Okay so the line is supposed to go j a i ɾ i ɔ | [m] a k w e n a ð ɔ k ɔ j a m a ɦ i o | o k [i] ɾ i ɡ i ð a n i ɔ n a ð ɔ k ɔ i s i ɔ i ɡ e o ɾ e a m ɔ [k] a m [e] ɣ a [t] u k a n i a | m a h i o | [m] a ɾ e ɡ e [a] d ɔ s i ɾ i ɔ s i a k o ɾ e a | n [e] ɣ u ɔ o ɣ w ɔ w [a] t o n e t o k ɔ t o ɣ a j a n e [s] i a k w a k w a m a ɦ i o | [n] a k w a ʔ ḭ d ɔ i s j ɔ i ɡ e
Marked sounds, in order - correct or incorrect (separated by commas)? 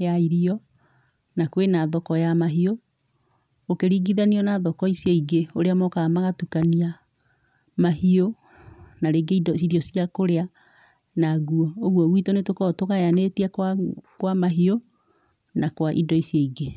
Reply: incorrect, incorrect, correct, incorrect, correct, incorrect, incorrect, incorrect, incorrect, incorrect, correct